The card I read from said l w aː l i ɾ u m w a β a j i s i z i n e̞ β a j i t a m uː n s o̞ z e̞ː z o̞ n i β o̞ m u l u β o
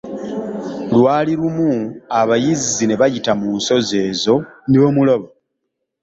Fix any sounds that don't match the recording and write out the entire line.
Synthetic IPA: l w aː l i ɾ u m u a β a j i z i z i n e̞ β a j i t a m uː n s o̞ z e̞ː z o̞ n i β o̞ m u l o β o